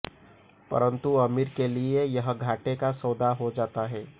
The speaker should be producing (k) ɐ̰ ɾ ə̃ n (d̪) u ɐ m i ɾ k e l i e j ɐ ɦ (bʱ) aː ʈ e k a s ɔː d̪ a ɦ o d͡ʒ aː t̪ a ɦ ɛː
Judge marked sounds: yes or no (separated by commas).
no, no, no